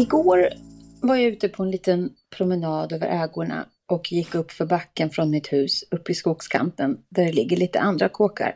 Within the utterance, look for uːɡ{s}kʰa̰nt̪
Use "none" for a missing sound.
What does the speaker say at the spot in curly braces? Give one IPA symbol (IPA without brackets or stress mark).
s